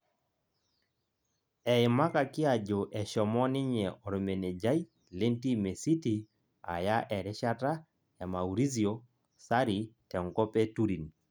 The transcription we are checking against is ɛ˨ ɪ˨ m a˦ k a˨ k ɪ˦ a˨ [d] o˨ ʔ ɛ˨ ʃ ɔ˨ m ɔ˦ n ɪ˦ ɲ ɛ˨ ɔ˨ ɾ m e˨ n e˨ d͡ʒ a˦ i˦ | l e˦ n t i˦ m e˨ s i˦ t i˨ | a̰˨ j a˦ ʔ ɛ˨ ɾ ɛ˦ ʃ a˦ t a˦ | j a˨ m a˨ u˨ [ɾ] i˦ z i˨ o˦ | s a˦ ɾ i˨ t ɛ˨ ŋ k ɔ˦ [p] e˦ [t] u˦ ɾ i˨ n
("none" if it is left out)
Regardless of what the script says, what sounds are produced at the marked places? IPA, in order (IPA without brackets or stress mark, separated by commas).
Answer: d͡ʒ, ɾ, p, t